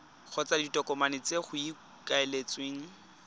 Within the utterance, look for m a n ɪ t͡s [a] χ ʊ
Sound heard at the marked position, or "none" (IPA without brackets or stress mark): e